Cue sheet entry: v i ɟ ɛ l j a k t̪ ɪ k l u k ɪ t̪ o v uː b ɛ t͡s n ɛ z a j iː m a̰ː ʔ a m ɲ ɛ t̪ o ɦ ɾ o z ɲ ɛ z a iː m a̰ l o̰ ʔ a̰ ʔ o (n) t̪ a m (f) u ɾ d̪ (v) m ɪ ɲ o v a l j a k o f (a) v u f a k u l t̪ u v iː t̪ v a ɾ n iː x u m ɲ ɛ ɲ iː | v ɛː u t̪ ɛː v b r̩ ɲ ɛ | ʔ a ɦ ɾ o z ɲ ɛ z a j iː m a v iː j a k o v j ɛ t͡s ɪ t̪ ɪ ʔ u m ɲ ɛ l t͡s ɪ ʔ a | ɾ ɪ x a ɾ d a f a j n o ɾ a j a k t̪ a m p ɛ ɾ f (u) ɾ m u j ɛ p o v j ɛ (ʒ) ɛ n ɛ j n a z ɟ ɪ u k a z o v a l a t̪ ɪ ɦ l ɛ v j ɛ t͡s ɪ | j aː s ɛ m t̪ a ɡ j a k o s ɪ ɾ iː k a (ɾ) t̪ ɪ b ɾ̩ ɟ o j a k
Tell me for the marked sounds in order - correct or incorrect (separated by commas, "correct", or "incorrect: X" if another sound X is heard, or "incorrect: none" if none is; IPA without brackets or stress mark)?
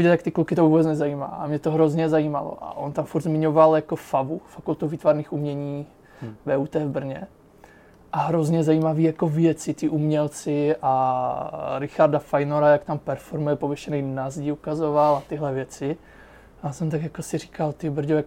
correct, correct, incorrect: z, correct, incorrect: o, incorrect: ʃ, incorrect: l